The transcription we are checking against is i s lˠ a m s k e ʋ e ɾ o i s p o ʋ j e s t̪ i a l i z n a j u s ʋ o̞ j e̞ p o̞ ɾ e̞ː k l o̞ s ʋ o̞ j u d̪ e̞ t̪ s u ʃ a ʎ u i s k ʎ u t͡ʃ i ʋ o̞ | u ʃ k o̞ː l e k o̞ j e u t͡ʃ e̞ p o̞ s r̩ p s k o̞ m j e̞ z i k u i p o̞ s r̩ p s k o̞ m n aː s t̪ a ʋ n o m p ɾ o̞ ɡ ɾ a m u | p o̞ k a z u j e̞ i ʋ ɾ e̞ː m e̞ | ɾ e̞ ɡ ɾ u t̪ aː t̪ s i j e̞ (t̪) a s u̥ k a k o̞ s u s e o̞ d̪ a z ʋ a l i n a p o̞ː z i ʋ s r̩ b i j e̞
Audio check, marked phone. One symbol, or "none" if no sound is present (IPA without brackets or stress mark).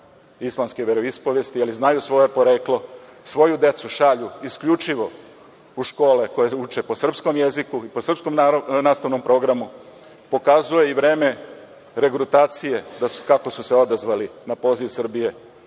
d̪